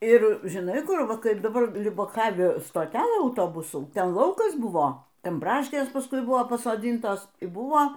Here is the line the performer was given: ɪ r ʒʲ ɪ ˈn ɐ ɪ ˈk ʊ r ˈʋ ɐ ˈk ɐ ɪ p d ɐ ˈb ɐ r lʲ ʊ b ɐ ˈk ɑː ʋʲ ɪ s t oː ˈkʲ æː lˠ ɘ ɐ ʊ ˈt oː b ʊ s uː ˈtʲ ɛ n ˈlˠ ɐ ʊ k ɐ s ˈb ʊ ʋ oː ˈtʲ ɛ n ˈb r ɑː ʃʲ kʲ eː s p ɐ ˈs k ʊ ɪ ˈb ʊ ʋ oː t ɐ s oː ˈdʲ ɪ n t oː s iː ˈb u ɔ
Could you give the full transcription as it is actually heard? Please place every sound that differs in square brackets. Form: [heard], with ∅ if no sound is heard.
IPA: ɪ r ʒʲ ɪ ˈn ɐ ɪ ˈk ʊ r ˈʋ ɐ ˈk ɐ ɪ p d ɐ ˈb ɐ r lʲ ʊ b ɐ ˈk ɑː ʋʲ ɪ s t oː [ˈtʲ] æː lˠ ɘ ɐ ʊ ˈt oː b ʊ s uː ˈtʲ ɛ n ˈlˠ ɐ ʊ k ɐ s ˈb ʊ ʋ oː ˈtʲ ɛ n ˈb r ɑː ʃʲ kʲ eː s p ɐ ˈs k ʊ ɪ ˈb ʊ ʋ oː [p] ɐ s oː ˈdʲ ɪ n t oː s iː ˈb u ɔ